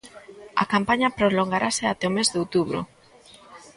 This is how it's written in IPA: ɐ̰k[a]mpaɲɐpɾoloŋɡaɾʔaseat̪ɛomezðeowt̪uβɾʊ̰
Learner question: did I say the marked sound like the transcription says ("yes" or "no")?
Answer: yes